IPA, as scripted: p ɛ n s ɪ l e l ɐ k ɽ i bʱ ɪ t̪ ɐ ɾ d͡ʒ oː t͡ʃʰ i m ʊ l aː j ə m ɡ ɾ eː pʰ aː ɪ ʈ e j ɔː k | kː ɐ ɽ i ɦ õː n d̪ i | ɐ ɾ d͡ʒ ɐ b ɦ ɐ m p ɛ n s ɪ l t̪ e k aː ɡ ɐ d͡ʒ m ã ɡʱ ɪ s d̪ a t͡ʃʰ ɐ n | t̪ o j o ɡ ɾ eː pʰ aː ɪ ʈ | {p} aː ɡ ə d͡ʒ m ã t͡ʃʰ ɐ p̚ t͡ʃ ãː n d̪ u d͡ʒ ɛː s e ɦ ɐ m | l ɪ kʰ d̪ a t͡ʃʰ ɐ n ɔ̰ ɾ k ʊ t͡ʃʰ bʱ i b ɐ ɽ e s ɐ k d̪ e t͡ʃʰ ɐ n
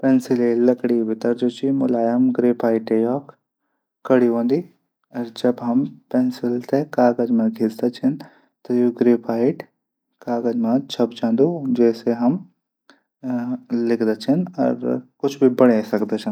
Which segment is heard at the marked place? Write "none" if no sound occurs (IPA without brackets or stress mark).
k